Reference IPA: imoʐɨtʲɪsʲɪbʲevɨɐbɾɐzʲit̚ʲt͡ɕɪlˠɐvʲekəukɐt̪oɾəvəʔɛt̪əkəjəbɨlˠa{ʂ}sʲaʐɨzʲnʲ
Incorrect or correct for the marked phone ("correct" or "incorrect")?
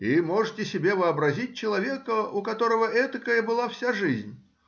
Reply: incorrect